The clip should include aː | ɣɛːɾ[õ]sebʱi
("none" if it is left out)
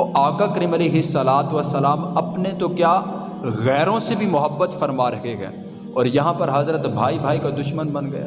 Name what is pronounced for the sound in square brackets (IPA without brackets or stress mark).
õ